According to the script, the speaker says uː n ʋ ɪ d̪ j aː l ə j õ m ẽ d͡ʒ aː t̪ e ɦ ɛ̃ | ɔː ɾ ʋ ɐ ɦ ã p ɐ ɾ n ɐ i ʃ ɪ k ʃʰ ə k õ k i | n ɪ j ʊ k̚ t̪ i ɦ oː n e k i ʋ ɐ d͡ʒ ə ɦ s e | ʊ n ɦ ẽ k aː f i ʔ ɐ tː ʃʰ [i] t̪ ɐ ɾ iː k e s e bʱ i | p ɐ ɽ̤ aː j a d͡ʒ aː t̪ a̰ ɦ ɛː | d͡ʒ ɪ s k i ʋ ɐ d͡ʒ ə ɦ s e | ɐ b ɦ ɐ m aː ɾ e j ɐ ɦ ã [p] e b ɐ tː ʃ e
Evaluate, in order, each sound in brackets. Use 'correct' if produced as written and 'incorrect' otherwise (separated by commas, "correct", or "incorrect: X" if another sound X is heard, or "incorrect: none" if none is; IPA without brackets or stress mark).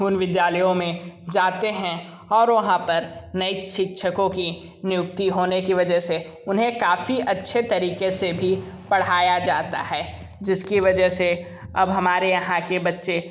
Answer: incorrect: e, incorrect: k